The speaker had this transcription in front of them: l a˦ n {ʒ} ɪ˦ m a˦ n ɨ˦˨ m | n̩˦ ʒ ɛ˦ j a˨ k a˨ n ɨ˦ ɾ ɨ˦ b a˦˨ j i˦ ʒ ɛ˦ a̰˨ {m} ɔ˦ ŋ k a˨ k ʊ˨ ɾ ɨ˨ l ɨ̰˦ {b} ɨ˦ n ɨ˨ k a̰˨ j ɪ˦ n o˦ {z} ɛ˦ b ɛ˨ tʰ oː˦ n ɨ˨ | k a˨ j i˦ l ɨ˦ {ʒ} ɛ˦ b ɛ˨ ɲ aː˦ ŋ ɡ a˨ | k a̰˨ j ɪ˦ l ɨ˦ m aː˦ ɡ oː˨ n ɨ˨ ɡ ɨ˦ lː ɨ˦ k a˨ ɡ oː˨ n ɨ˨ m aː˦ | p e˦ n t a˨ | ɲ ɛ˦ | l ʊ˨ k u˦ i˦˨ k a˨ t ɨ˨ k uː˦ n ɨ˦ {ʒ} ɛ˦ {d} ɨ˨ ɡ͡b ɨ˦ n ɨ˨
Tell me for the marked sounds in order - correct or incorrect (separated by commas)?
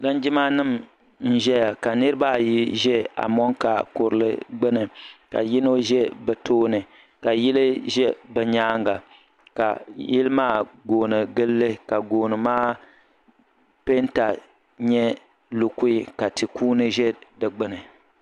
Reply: incorrect, correct, incorrect, incorrect, correct, correct, correct